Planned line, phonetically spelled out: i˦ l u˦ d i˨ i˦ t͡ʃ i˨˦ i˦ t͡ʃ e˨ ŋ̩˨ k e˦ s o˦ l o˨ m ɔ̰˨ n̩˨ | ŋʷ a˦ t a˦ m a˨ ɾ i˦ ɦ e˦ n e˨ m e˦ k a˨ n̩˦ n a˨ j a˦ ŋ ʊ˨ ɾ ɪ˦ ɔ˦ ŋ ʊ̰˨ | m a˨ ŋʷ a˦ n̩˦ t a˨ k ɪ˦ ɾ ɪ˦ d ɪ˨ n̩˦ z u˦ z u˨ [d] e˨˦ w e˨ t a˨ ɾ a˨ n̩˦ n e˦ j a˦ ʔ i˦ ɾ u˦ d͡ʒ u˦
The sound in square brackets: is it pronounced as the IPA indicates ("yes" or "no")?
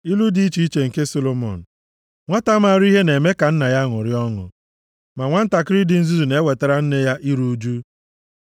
no